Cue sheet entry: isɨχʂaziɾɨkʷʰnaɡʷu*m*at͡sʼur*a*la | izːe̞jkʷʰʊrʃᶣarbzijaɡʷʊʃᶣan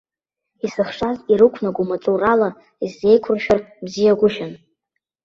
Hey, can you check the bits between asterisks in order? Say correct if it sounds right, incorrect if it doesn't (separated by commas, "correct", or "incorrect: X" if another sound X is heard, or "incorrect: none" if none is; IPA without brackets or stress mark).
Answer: correct, correct